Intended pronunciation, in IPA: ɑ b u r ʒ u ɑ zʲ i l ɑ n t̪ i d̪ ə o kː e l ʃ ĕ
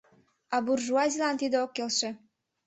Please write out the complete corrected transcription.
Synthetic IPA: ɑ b u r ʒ u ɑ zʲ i l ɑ n t̪ i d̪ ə o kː e l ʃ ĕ